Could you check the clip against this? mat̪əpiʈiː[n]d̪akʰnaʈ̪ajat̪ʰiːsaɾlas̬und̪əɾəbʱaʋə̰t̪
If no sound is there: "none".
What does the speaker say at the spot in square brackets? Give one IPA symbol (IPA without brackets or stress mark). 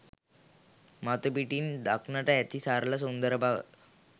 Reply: n